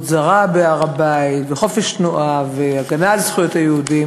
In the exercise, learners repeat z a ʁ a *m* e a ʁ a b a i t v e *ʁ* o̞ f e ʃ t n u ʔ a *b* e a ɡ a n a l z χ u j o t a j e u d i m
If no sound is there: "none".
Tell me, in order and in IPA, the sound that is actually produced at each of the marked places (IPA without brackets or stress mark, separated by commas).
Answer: b, χ, v